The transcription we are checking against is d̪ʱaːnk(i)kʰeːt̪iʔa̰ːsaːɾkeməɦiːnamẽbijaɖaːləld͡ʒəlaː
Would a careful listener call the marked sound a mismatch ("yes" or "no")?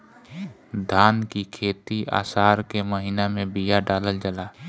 no